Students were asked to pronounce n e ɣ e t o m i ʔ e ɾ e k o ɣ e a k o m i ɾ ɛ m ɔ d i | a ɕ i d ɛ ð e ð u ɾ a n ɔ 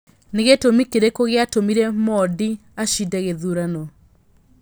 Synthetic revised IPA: n e ɣ e t o m i k e ɾ e k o ɣ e a t o m i ɾ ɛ m ɔ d i | a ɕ i d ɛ ɣ e ð u ɾ a n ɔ